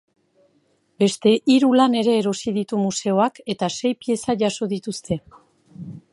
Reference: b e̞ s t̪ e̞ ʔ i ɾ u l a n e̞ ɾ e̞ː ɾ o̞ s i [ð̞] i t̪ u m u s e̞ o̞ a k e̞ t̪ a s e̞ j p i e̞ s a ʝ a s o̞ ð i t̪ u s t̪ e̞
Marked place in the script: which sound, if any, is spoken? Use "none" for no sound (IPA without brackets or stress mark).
ð̞